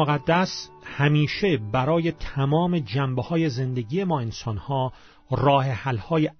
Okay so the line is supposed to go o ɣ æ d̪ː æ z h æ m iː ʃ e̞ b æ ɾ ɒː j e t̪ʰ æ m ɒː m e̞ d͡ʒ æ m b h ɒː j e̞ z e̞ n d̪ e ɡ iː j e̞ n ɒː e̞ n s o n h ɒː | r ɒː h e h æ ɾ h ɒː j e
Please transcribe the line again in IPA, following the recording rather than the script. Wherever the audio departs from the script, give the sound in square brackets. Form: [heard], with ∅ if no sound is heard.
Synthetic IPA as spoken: o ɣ æ d̪ː æ [s] h æ m iː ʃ e̞ b æ ɾ ɒː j e t̪ʰ æ m ɒː m e̞ d͡ʒ æ m b h ɒː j e̞ z e̞ n d̪ e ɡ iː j e̞ [m] ɒː e̞ n s [ɒ] n h ɒː | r ɒː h e h æ [l] h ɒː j e